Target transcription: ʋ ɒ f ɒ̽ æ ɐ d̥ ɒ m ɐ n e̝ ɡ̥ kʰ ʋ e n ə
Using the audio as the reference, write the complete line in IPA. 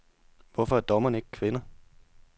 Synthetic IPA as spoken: ʋ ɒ f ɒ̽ æ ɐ d̥ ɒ m ɐ n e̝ ɡ̥ kʰ ʋ e n ɐ